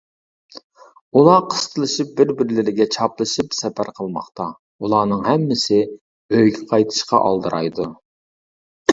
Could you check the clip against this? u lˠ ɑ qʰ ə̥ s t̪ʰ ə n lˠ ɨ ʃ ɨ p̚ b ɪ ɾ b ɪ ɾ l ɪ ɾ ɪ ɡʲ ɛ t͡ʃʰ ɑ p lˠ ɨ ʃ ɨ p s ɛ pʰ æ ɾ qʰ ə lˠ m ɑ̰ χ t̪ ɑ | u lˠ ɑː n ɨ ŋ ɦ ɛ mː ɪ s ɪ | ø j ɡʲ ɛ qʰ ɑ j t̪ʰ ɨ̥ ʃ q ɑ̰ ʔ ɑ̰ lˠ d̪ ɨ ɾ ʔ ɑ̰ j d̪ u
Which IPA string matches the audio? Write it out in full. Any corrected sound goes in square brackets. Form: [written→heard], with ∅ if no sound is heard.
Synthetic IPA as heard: u lˠ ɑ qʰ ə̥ s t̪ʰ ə [n→∅] lˠ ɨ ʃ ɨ p̚ b ɪ ɾ b ɪ ɾ l ɪ ɾ ɪ ɡʲ ɛ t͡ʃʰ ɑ p lˠ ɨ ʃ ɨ p s ɛ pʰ æ ɾ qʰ ə lˠ m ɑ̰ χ t̪ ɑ | u lˠ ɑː n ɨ ŋ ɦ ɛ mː ɪ s ɪ | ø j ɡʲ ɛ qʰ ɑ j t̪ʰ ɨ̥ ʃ q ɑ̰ ʔ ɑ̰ lˠ d̪ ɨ ɾ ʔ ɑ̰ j d̪ u